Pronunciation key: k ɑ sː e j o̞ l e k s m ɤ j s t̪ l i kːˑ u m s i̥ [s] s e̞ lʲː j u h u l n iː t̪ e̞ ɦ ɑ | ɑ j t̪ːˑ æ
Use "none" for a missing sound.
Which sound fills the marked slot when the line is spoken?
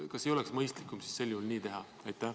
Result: s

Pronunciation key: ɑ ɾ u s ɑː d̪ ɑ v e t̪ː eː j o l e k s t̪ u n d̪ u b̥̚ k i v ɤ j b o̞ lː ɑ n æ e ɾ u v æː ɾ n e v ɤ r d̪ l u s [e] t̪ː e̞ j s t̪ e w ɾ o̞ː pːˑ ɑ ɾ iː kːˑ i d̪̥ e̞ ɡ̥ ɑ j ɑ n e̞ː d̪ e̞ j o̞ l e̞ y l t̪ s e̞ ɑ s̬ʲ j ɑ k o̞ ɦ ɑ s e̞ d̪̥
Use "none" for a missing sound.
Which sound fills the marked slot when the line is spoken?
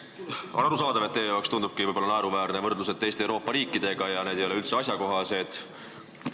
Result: e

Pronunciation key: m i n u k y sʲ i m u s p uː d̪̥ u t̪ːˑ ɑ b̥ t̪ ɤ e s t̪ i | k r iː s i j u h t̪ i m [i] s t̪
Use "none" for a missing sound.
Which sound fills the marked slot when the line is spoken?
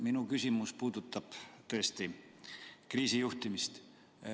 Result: i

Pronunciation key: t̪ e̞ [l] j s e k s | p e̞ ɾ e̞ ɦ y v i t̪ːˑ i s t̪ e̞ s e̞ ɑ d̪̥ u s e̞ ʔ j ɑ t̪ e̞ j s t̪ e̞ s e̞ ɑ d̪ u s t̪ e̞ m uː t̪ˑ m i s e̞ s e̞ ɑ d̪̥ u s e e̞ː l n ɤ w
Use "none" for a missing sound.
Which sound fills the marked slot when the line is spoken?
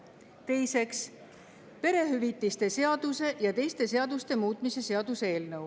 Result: none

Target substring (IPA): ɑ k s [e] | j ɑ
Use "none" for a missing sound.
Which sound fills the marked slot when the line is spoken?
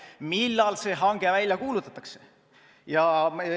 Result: e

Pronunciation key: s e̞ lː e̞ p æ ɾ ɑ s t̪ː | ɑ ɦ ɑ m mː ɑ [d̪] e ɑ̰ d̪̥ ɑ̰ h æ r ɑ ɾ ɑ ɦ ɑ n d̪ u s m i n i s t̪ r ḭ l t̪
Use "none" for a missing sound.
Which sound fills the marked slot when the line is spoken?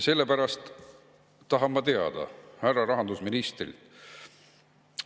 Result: t̪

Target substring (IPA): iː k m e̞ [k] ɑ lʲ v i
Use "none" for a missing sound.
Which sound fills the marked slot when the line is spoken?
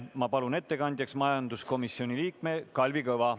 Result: k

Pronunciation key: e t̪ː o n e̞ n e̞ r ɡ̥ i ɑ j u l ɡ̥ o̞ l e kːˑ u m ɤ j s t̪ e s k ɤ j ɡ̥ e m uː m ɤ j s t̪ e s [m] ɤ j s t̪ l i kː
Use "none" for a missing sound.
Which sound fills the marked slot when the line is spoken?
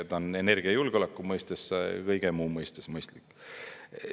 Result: m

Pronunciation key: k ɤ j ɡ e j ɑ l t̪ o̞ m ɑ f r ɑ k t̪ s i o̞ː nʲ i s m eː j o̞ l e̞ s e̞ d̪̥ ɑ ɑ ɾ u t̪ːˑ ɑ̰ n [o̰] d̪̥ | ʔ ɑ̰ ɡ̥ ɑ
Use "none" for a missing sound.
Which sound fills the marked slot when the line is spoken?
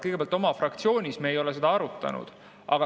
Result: ṵ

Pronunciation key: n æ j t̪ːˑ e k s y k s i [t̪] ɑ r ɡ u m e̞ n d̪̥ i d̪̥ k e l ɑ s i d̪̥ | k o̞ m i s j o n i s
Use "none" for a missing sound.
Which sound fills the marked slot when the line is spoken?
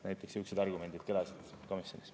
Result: d̪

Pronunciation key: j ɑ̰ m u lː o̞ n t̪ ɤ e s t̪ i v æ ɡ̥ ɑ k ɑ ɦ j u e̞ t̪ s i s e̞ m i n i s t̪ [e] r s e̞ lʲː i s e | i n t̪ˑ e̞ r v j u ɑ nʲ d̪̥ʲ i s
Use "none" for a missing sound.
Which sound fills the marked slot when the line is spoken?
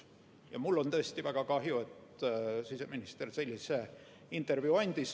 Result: e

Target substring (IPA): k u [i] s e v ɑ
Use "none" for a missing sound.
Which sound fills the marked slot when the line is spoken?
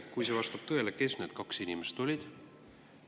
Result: j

